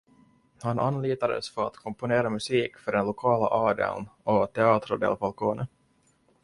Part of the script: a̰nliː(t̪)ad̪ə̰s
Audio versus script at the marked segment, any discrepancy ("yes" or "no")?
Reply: no